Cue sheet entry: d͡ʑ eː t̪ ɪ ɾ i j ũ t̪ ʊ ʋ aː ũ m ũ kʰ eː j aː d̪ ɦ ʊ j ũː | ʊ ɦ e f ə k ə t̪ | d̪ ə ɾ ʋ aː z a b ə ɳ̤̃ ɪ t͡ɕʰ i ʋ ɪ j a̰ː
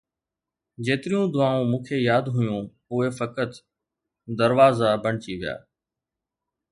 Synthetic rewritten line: d͡ʑ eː t̪ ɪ ɾ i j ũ d̪ ʊ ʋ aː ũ m ũː kʰ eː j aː d̪ ɦ ʊ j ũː | ʊ ɦ e f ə k ə t̪ | d̪ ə ɾ ʋ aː z a b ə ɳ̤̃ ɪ t͡ɕ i ʋ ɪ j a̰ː